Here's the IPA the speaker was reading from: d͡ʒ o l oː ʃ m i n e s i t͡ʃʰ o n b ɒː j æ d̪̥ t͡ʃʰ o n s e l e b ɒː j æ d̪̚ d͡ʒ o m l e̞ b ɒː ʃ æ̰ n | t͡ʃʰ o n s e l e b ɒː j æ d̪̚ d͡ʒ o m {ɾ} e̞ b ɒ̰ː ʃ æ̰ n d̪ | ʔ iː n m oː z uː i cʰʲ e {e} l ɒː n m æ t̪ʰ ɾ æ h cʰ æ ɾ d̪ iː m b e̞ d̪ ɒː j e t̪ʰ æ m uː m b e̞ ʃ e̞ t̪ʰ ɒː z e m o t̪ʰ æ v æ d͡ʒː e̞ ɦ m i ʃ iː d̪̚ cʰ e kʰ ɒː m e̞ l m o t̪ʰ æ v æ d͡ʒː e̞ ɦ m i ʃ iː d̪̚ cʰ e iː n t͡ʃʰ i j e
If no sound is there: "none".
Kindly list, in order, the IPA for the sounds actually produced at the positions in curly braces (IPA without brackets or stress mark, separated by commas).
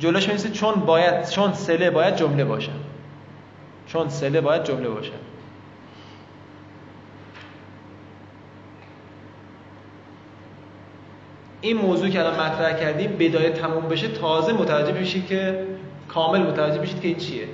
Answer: l, æ